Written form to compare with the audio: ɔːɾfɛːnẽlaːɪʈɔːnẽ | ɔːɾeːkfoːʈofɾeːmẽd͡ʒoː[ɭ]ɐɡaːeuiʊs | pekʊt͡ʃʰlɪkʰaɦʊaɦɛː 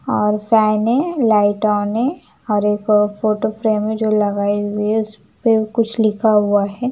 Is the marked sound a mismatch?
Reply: yes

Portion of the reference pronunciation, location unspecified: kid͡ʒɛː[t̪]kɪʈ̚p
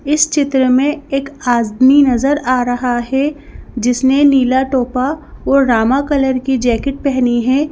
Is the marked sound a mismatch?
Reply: yes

